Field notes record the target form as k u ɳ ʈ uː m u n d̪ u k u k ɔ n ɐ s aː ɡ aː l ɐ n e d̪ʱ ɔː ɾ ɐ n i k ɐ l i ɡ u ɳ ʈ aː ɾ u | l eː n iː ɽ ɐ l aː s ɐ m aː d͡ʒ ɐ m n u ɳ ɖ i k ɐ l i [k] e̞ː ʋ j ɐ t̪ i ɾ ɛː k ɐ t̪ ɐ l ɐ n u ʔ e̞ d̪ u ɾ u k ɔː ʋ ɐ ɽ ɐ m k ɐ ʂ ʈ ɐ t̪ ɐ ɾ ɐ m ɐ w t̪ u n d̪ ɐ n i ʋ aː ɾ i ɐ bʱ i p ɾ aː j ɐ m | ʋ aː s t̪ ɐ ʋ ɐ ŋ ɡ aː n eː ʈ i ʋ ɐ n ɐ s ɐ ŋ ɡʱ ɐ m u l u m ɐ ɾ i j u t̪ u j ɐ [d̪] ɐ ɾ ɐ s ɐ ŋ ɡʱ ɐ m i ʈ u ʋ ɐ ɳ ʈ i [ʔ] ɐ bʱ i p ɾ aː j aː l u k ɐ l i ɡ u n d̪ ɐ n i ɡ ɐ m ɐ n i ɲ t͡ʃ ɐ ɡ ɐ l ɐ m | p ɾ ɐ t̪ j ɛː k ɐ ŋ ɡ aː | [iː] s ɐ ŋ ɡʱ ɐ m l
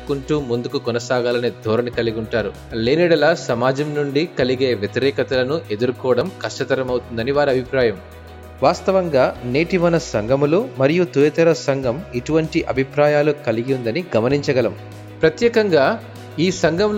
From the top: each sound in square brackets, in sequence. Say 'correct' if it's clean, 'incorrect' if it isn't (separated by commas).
incorrect, incorrect, correct, correct